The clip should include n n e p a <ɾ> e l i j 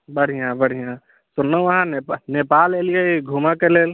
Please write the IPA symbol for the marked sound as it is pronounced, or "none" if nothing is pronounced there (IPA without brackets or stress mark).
l